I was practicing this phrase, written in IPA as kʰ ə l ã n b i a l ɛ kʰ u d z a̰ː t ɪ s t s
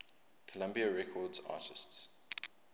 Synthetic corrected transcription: kʰ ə l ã m b i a ɹ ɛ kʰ ɔ d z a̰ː t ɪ s t s